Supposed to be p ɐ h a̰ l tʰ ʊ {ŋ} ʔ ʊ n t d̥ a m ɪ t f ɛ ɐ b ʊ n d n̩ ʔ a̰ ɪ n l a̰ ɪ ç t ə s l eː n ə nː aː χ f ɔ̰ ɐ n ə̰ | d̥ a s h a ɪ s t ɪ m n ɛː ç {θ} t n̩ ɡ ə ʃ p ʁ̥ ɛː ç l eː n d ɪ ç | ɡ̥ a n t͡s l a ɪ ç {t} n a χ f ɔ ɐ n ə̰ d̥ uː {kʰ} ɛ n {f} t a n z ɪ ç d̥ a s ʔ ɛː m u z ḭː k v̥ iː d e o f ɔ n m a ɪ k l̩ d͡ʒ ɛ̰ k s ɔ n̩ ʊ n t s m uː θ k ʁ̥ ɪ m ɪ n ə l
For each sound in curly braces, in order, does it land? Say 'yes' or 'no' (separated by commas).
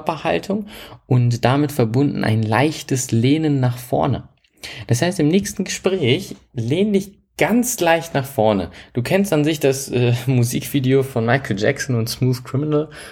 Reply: yes, no, yes, yes, no